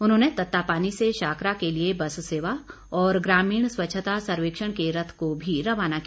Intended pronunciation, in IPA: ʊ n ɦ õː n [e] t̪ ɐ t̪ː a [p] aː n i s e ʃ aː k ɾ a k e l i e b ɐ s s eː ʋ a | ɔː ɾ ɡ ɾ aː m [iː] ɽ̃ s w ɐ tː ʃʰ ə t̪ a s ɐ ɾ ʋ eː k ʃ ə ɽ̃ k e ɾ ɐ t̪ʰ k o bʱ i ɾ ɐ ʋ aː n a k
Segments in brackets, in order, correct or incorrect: correct, correct, correct

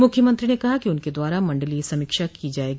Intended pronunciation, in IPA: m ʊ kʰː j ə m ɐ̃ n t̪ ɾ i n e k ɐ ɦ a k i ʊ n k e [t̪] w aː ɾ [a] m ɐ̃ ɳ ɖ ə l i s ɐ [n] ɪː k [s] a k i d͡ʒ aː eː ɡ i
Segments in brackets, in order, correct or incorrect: incorrect: d̪, correct, incorrect: m, incorrect: ʃ

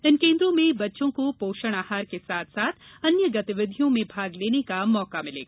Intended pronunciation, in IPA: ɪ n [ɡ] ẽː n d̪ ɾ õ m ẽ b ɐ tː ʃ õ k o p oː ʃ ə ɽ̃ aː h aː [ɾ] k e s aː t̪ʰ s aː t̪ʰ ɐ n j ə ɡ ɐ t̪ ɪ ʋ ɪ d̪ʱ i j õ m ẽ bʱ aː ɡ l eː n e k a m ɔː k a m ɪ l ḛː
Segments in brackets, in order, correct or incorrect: incorrect: k, correct

